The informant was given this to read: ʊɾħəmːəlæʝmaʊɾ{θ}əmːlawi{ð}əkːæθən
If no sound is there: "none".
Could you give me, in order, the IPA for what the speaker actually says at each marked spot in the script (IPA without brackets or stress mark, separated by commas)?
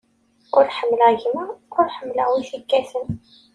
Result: ħ, θ